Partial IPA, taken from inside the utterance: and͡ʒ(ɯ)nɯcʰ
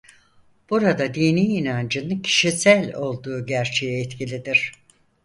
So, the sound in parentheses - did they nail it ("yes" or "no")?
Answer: yes